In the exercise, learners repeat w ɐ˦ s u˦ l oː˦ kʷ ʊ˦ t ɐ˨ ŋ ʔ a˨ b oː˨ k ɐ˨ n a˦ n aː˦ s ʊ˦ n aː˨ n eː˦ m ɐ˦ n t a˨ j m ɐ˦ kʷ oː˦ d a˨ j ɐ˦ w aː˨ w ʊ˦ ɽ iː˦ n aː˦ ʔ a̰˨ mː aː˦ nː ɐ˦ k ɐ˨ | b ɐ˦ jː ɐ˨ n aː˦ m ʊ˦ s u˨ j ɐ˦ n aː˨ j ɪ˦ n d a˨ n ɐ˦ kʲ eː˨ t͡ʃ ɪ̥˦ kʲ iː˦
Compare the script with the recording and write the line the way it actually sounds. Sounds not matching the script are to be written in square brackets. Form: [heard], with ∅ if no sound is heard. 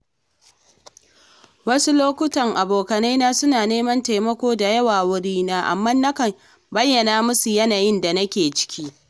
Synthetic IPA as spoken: w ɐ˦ s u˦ l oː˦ kʷ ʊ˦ t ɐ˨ ŋ ʔ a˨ b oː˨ k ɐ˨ n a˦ n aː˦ s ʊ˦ n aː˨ n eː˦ m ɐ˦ n t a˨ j m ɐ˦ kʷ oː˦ d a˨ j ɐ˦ w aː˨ w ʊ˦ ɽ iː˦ n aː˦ ʔ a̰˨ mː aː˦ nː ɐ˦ k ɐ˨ | b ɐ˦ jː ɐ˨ n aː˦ m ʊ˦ s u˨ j ɐ˦ n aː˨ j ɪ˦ n d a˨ n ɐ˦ kʲ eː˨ t͡ʃ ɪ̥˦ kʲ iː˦